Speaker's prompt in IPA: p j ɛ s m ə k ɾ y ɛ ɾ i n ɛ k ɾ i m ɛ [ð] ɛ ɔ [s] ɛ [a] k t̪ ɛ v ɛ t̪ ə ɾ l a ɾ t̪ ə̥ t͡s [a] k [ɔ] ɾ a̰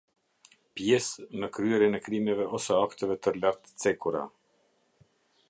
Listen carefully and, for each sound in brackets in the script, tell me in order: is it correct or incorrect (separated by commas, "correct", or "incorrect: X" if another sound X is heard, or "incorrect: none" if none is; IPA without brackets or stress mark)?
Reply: incorrect: v, correct, correct, incorrect: ɛ, incorrect: u